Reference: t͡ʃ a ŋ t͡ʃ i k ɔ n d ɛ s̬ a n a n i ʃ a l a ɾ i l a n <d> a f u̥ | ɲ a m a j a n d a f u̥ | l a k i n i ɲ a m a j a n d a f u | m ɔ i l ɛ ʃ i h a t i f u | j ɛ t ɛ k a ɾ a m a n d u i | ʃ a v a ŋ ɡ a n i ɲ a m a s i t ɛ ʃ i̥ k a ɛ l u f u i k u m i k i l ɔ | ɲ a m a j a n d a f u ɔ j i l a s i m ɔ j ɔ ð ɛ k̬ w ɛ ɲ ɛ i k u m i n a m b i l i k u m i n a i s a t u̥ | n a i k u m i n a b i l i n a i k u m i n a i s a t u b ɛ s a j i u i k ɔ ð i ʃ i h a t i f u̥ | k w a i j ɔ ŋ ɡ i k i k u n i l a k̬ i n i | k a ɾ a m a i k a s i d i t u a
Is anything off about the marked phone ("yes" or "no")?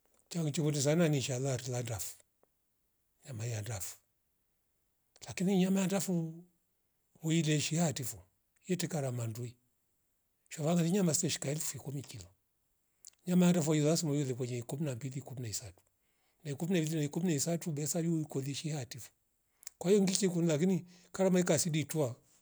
no